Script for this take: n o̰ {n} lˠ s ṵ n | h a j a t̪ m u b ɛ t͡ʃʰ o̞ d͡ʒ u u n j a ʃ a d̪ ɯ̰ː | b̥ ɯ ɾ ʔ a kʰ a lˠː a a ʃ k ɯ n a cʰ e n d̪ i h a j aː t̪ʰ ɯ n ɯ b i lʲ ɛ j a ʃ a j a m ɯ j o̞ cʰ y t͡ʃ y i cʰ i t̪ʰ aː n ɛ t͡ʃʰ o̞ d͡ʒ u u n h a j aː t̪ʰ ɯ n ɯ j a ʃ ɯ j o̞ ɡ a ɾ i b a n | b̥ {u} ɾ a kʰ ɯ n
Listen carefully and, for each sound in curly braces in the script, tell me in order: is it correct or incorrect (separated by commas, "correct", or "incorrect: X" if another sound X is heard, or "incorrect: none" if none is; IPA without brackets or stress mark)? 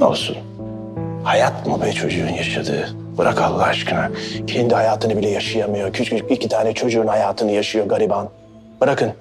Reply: incorrect: none, incorrect: ɯ